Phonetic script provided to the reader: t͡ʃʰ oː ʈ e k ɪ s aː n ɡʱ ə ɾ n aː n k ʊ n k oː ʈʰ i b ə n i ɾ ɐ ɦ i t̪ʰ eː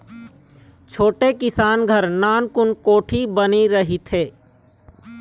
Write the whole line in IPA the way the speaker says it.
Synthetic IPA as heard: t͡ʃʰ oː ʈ e k ɪ s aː n ɡʱ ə ɾ n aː n k ʊ n k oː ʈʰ i b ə n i ɾ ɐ ɦ i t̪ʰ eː